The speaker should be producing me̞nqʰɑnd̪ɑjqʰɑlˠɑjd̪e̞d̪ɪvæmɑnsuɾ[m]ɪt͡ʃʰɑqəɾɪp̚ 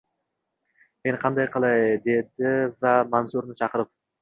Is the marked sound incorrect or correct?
incorrect